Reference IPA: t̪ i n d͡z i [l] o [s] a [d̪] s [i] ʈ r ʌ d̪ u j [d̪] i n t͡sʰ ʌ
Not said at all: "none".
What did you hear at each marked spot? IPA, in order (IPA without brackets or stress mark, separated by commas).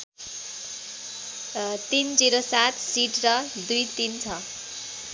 ɾ, s, t̪, i, t̪